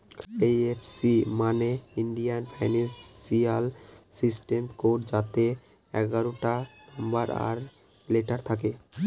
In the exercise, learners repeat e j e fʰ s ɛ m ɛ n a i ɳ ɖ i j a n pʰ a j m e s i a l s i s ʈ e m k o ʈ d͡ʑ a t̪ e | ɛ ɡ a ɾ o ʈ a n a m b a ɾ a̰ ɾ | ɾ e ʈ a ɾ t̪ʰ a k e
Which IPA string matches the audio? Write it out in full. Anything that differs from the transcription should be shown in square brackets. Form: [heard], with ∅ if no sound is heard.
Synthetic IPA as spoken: e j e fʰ s [i] m [a] n [e] i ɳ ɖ i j a n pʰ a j [n] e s i a l s i s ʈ e m k o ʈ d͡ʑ a t̪ e | ɛ ɡ a ɾ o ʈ a n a m b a ɾ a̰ ɾ | [l] e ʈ a ɾ t̪ʰ a k e